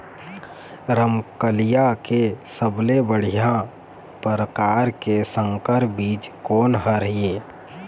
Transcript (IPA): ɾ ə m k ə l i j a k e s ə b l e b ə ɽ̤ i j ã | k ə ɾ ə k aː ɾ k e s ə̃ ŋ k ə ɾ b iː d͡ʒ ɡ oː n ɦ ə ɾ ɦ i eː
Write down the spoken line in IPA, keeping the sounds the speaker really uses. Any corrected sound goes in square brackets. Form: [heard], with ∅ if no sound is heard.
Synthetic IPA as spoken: ɾ ə m k ə l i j a k e s ə b l e b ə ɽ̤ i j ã | [p] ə ɾ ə k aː ɾ k e s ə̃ ŋ k ə ɾ b iː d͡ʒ [k] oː n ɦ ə ɾ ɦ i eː